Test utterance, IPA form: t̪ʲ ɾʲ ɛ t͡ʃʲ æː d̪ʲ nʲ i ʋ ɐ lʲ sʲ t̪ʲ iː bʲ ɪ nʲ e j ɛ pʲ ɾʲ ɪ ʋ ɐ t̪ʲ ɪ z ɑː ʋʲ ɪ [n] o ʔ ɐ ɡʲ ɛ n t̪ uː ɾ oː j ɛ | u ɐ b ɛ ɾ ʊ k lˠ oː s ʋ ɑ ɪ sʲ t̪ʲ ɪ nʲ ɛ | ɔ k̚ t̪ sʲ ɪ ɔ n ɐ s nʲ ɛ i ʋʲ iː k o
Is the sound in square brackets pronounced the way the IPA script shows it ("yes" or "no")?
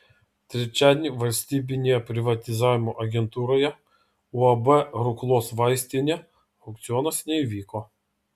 no